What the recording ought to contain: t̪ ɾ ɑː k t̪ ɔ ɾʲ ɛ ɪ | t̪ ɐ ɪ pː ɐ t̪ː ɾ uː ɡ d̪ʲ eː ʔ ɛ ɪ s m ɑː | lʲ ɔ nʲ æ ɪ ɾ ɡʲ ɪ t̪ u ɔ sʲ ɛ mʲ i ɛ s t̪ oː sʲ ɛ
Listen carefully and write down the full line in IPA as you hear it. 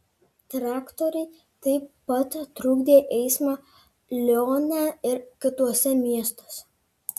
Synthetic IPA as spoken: t̪ ɾ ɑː k t̪ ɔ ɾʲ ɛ ɪ | t̪ ɐ ɪ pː ɐ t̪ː ɾ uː ɡ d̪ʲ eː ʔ ɛ ɪ s m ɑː | lʲ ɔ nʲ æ ɪ ɾ kʲ ɪ t̪ u ɔ sʲ ɛ mʲ i ɛ s t̪ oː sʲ ɛ

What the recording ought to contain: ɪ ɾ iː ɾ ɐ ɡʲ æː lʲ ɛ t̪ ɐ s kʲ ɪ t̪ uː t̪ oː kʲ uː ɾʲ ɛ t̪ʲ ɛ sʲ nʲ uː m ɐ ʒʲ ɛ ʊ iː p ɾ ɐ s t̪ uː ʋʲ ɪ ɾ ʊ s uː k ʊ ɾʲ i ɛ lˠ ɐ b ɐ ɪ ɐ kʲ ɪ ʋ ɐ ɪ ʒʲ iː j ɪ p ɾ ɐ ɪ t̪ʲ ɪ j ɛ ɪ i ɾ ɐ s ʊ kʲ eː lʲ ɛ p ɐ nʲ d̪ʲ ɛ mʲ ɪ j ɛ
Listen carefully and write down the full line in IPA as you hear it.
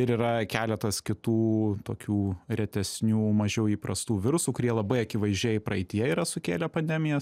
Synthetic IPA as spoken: ɪ ɾ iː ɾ ɐ kʲ æː lʲ ɛ t̪ ɐ s kʲ ɪ t̪ uː t̪ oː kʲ uː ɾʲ ɛ t̪ʲ ɛ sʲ nʲ uː m ɐ ʒʲ ɛ ʊ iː p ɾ ɐ s t̪ uː ʋʲ ɪ ɾ ʊ s uː k ʊ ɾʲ i ɛ lˠ ɐ b ɐ ɪ ɐ kʲ ɪ ʋ ɐ ɪ ʒʲ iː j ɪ p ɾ ɐ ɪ t̪ʲ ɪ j ɛ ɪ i ɾ ɐ s ʊ kʲ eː lʲ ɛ p ɐ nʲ d̪ʲ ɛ mʲ ɪ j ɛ

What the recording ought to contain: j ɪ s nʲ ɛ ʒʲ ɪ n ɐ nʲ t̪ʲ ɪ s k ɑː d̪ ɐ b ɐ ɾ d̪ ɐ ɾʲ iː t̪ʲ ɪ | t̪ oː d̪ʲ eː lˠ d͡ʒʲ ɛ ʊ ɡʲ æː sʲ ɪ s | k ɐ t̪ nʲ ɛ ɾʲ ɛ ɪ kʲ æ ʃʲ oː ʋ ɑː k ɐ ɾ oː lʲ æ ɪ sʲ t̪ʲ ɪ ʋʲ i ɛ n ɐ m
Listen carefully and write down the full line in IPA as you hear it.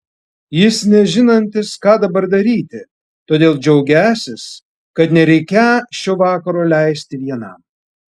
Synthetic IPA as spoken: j ɪ s nʲ ɛ ʒʲ ɪ n ɐ nʲ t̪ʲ ɪ s k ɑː d̪ ɐ b ɐ ɾ d̪ ɐ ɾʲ iː t̪ʲ ɪ | t̪ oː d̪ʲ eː lˠ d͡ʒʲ ɛ ʊ ɡʲ æː sʲ ɪ s | k ɐ t̪ nʲ ɛ ɾʲ ɛ ɪ kʲ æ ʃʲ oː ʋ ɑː k ɐ ɾ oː lʲ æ ɪ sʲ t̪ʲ ɪ ʋʲ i ɛ n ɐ m

